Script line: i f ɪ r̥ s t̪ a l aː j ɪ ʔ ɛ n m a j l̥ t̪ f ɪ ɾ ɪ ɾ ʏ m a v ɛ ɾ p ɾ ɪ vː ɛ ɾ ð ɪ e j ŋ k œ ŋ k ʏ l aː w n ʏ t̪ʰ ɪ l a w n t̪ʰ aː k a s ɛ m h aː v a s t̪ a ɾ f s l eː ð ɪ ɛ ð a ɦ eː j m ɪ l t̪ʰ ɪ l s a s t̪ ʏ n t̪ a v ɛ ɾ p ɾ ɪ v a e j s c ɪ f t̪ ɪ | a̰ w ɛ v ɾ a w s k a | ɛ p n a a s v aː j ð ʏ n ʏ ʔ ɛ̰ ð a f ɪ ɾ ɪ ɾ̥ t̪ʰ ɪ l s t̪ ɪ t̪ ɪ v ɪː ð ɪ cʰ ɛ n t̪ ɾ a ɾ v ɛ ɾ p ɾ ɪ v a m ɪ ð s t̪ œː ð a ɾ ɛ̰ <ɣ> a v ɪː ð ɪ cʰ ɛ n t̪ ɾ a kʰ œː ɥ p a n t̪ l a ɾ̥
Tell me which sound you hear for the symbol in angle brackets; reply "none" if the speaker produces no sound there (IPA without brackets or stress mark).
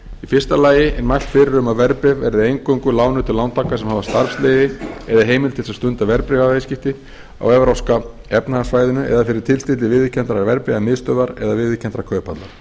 ð